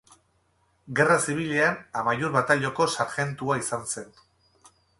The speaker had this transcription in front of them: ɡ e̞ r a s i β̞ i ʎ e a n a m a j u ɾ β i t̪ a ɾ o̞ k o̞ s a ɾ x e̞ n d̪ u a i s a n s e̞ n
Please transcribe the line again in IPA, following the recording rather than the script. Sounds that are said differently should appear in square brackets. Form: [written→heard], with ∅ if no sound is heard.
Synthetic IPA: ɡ e̞ r a s i β̞ i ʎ e a n a m a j u ɾ β [i→a] t̪ a [ɾ→ʎ] o̞ k o̞ s a ɾ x e̞ n [d̪→t̪] u a i s a n s e̞ n